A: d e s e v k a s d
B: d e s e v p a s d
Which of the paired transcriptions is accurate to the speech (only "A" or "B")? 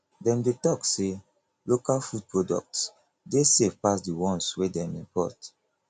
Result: B